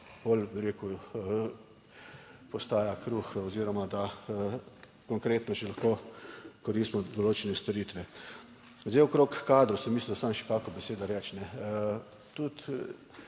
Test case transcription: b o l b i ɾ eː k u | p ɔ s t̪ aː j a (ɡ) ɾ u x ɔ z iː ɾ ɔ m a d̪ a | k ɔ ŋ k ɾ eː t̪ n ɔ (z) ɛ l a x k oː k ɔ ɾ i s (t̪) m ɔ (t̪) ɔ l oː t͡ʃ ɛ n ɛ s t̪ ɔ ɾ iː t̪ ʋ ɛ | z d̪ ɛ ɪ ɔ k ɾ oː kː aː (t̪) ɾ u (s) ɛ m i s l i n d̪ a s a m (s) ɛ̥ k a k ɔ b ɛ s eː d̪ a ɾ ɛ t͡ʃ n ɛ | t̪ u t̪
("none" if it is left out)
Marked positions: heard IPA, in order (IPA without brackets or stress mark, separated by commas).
k, ʒ, t̪, d̪, d̪, s, ʃ